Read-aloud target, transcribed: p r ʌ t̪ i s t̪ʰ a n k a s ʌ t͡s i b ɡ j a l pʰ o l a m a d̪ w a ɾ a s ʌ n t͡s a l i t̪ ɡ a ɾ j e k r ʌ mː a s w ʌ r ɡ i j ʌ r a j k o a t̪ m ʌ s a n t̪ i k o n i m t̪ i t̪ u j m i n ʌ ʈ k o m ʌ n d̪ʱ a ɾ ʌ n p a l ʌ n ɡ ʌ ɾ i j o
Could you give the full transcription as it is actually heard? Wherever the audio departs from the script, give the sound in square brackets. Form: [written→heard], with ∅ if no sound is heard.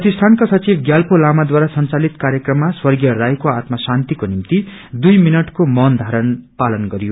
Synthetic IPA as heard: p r ʌ t̪ i s t̪ʰ a n k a s ʌ t͡s i b ɡ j a l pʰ o l a m a d̪ w a ɾ a s ʌ n t͡s a l i t̪ [ɡ→k] a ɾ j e k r ʌ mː a s w ʌ r ɡ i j ʌ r a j k o a t̪ m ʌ s a n t̪ i k o n i m t̪ i [t̪→d̪] u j m i n ʌ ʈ k o m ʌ n d̪ʱ a ɾ ʌ n p a l ʌ n ɡ ʌ ɾ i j o